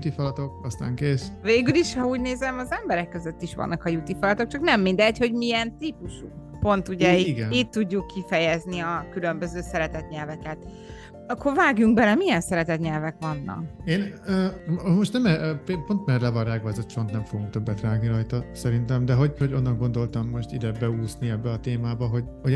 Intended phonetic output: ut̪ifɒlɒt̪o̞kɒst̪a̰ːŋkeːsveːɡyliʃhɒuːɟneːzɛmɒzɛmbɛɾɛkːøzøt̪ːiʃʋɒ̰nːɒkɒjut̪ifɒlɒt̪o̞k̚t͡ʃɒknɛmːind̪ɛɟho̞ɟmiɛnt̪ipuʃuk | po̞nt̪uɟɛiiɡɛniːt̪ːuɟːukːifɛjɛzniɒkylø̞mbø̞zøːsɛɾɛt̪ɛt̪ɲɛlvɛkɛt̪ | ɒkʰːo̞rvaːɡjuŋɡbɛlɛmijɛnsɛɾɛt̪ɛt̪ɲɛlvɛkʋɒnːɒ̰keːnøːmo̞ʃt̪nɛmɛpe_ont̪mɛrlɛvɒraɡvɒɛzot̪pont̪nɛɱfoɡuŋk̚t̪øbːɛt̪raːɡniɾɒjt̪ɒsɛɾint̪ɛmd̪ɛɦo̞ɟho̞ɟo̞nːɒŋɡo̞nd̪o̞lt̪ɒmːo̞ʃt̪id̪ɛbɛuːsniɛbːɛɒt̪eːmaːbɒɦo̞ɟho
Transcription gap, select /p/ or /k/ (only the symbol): p